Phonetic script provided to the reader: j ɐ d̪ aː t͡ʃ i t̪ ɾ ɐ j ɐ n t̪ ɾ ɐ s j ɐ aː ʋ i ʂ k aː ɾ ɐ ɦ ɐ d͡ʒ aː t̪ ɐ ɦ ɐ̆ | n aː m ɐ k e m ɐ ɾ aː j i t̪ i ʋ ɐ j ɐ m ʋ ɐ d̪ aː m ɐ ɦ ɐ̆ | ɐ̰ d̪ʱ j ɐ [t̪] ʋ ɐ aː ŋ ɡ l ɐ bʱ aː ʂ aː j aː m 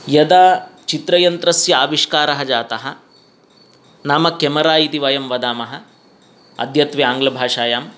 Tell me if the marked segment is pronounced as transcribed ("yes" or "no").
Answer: yes